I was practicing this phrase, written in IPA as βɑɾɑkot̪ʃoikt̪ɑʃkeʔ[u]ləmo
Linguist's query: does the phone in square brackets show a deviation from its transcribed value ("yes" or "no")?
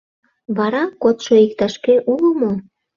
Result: no